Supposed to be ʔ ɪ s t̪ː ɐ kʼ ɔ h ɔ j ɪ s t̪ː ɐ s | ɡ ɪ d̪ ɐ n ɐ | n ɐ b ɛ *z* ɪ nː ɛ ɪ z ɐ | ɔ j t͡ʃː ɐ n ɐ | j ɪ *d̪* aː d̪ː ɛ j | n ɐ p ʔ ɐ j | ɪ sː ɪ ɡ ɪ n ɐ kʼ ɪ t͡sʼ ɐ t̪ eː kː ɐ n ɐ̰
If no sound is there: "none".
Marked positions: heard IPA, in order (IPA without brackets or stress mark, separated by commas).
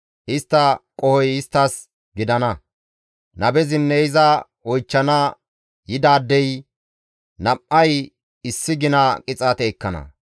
z, d̪